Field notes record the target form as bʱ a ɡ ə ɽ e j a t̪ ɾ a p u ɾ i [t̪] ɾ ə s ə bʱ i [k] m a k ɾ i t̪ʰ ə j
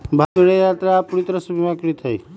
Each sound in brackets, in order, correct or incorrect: correct, incorrect: none

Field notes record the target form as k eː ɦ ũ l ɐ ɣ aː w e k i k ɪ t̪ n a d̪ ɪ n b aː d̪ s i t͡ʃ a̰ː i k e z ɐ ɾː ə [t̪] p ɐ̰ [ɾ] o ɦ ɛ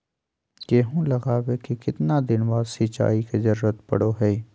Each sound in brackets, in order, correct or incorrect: correct, incorrect: ɽ

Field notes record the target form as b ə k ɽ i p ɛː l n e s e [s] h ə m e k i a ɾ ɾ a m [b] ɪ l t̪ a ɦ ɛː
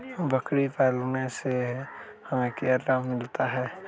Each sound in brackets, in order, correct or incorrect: incorrect: none, incorrect: m

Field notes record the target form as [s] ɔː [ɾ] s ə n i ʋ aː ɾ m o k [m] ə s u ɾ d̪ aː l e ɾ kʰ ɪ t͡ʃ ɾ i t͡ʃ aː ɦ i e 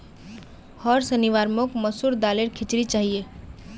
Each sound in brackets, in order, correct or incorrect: incorrect: h, correct, correct

